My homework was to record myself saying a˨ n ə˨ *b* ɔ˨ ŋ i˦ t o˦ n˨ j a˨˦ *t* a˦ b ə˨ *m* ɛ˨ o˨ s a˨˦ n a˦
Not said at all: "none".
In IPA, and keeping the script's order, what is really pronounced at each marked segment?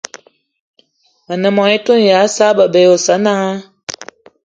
m, s, b

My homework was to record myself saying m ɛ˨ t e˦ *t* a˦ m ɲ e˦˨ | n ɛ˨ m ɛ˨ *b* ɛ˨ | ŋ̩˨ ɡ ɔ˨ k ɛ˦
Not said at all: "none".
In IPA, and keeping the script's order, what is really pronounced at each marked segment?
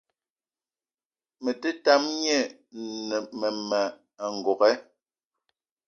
t, m

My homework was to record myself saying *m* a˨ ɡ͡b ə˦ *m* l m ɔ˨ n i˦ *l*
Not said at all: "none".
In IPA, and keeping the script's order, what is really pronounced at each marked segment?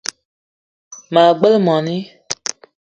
m, none, none

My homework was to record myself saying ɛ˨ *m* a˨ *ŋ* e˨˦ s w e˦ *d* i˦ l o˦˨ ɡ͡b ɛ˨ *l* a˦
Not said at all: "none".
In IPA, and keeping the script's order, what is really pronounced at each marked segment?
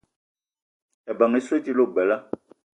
b, ŋ, t, l

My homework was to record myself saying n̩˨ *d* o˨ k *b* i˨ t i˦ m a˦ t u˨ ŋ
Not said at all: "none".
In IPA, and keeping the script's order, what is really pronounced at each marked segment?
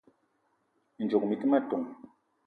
d͡ʒ, m

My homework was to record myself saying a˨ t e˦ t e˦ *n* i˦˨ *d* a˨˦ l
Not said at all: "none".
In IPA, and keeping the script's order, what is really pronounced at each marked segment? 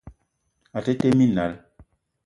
m, n

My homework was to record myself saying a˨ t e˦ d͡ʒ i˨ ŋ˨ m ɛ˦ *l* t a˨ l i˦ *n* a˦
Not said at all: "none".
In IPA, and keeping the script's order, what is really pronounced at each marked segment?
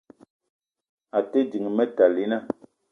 none, n

